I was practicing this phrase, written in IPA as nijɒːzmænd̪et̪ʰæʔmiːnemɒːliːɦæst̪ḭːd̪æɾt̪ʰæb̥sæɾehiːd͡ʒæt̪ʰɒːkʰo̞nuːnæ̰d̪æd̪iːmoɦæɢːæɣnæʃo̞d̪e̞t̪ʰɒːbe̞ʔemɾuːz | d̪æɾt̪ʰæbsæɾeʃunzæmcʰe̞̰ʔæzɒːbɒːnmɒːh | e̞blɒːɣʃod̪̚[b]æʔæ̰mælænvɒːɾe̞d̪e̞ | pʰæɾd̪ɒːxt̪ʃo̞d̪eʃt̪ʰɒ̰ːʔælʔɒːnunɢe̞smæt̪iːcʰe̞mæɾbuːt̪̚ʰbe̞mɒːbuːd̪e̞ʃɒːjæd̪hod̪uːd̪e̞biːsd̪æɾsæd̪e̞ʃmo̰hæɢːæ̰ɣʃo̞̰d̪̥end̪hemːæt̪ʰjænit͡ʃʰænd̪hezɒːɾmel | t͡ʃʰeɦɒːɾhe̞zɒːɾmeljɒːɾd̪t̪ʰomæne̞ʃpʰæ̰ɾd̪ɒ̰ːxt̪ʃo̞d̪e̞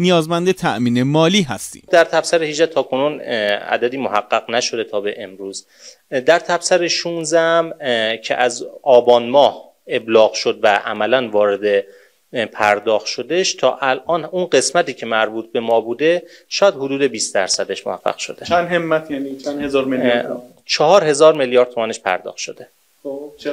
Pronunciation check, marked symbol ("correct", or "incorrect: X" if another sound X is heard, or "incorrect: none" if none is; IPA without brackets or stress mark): incorrect: v